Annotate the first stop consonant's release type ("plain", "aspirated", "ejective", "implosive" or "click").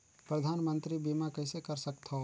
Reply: plain